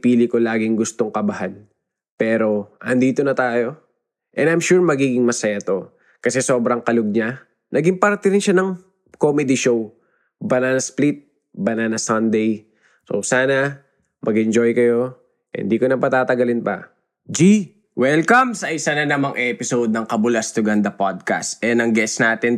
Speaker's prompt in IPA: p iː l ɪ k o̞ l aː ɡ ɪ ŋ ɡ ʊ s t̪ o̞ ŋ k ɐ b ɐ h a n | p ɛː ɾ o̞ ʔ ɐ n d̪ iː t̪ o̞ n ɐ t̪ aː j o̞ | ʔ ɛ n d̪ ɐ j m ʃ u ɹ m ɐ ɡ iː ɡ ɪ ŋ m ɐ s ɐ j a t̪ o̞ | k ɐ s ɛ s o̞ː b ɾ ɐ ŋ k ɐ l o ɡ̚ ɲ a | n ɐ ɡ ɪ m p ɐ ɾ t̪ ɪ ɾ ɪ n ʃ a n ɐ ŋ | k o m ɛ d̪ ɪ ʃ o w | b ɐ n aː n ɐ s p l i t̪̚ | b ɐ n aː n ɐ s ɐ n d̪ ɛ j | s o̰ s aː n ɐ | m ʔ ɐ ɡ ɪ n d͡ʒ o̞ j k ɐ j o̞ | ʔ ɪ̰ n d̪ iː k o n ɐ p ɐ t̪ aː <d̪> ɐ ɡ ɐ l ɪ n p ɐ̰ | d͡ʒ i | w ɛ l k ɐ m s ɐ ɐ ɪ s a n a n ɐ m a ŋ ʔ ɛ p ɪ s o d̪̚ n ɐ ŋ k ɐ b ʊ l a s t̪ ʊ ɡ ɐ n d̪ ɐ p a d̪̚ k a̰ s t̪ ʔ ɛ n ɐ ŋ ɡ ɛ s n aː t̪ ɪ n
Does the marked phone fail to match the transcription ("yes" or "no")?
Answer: yes